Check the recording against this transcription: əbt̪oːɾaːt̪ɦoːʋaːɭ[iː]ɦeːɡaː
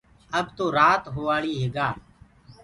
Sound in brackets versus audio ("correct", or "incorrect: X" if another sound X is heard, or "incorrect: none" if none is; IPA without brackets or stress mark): correct